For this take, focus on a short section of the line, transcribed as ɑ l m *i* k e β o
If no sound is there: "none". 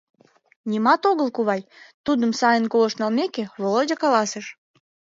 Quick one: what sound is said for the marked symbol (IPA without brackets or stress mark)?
e